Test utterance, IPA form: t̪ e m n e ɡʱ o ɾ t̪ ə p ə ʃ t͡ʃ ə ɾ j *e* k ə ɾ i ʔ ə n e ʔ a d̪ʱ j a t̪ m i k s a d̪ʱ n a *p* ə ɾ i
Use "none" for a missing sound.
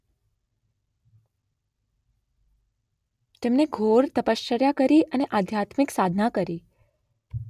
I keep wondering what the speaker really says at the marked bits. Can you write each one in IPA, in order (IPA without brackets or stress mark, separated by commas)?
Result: a, k